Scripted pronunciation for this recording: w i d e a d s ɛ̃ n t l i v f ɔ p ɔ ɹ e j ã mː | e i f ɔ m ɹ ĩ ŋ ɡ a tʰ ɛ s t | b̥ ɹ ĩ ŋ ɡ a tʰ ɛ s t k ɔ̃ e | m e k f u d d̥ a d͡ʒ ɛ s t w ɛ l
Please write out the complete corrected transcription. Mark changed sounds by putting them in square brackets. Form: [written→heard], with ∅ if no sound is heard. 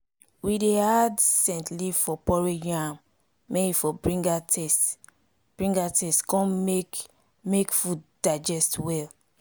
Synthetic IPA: w i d e a d s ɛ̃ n t l i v f ɔ p ɔ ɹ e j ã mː | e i f ɔ [m→b] ɹ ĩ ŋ ɡ a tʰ ɛ s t | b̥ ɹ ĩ ŋ ɡ a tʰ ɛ s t k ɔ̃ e | m e k f u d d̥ a d͡ʒ ɛ s t w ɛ l